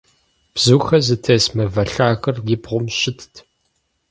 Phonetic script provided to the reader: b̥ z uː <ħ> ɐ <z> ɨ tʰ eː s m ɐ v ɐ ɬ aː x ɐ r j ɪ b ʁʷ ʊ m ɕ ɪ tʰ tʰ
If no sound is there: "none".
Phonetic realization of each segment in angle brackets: x, z

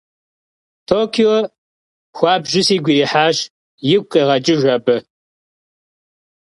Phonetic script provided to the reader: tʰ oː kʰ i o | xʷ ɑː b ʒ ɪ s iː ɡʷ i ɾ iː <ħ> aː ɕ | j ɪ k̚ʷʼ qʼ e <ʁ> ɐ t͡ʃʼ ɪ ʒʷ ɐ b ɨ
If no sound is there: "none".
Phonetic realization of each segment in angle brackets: ħ, ʁ

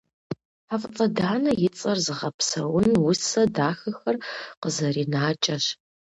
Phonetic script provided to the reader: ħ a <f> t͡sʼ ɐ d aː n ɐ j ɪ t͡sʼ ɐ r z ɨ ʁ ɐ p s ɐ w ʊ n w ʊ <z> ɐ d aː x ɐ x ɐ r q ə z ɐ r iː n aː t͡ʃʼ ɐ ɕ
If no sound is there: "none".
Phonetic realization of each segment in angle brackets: f, s

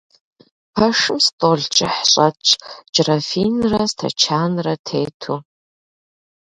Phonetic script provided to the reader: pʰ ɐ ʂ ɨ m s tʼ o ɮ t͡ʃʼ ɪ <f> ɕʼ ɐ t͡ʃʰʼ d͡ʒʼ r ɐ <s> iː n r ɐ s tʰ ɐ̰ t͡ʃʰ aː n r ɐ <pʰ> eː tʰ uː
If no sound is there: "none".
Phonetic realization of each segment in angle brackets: ħ, f, tʰ

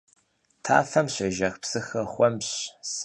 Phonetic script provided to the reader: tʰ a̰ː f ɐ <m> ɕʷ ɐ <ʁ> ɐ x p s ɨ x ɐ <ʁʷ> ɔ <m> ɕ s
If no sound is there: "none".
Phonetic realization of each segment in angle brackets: m, ʒ, χʷ, m

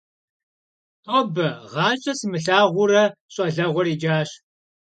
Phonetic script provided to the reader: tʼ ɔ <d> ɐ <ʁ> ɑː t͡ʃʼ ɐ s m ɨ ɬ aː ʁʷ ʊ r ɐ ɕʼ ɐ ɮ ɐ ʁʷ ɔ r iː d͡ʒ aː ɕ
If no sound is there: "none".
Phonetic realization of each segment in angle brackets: b, ʁ

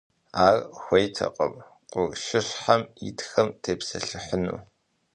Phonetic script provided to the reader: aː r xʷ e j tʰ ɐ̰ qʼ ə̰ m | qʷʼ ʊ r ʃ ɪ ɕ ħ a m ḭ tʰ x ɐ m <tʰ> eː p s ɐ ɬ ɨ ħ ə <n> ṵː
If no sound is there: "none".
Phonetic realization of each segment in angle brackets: tʰ, n

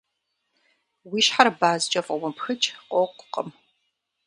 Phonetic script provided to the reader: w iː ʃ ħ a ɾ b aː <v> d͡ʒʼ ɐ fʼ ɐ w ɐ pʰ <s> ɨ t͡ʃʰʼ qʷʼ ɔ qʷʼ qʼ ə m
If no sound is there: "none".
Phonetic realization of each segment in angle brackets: z, x

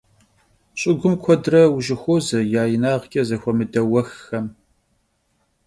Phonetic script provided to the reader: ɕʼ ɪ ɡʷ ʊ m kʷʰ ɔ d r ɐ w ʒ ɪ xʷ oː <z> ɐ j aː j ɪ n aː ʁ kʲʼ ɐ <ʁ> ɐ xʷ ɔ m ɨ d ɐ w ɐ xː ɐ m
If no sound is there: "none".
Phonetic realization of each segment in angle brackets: z, z

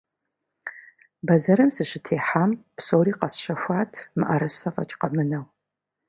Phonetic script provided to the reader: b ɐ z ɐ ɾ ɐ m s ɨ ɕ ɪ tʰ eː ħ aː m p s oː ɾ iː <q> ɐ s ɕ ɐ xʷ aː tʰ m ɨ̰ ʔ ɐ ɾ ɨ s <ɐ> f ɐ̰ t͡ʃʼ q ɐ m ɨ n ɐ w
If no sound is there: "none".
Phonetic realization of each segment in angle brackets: q, ɐ

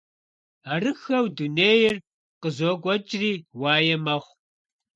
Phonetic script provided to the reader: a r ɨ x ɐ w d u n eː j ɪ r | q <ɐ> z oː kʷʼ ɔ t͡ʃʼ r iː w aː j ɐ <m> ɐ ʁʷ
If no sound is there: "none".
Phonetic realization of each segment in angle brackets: ə, m

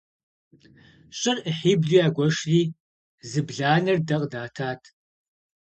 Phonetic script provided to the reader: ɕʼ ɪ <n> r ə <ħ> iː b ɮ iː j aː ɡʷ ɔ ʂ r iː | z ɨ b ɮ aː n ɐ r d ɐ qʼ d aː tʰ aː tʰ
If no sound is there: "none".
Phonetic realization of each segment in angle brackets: none, ħ

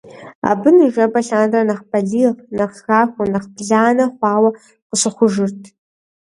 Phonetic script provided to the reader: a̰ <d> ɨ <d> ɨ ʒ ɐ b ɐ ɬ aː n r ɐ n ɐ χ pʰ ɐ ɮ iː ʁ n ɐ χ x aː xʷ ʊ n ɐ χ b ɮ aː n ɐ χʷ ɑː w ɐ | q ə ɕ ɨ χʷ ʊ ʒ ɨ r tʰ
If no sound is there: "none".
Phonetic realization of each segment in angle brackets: b, n

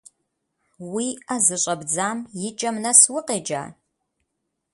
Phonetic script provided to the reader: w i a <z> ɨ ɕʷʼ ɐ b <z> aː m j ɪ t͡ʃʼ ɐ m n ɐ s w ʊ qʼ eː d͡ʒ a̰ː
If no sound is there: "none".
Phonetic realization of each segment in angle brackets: z, d͡z

